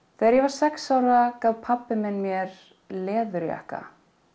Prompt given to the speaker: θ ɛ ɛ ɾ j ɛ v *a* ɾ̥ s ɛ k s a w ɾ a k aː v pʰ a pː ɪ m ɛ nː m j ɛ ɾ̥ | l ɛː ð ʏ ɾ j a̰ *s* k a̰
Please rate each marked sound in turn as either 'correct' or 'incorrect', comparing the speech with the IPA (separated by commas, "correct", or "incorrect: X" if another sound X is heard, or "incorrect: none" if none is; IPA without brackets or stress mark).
correct, incorrect: h